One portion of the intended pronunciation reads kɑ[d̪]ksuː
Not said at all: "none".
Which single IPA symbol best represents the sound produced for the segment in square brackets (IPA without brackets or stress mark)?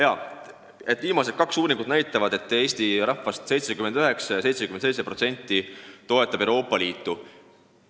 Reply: none